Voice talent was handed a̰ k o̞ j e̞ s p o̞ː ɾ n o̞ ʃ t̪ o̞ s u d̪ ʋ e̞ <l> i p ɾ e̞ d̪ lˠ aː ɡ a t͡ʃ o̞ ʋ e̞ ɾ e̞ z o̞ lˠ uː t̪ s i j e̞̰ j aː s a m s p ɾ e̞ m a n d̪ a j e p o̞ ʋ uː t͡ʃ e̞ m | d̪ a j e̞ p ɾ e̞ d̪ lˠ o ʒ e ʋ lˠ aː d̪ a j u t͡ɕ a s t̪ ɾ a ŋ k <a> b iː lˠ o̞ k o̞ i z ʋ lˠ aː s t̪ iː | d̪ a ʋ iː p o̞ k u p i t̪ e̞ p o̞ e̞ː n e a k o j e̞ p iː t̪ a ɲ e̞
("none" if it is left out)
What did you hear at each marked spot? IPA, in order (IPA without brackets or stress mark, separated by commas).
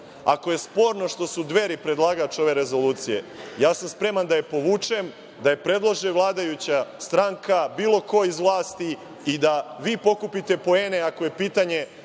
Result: ɾ, a